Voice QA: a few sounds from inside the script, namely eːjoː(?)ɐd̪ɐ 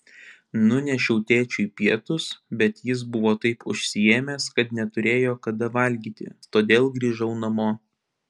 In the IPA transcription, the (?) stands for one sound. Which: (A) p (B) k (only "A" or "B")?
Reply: B